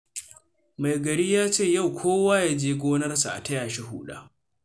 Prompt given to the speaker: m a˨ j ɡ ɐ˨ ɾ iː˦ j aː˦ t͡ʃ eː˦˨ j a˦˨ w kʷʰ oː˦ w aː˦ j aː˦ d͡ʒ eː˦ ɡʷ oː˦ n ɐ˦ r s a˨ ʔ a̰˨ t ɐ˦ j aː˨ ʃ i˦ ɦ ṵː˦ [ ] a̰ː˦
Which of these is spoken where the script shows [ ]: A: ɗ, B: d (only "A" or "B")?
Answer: A